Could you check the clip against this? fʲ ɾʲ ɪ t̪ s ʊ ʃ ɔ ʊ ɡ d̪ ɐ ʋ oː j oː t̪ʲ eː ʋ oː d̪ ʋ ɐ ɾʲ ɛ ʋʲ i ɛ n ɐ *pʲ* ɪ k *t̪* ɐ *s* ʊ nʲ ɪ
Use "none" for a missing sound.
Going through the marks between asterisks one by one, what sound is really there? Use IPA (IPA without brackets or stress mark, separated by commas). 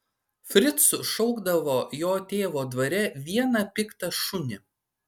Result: pʲ, t̪, ʃ